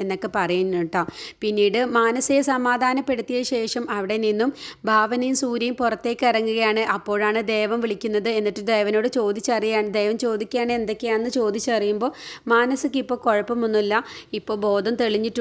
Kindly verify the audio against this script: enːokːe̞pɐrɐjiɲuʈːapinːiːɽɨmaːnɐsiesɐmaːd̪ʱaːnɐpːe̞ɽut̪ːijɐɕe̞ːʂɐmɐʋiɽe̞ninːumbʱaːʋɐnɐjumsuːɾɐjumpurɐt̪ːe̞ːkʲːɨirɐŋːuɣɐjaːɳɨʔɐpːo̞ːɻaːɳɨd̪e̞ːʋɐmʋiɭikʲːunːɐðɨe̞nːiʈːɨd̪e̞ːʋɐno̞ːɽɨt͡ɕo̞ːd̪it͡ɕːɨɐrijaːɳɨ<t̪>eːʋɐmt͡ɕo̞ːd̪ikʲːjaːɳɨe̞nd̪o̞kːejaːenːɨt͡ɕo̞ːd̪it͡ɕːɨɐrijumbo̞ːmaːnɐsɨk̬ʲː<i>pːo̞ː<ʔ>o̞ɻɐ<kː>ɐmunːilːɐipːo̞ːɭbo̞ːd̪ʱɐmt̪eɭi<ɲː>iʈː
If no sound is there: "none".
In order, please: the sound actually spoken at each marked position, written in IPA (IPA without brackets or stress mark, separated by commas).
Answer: d̪, i, k, pː, ɲː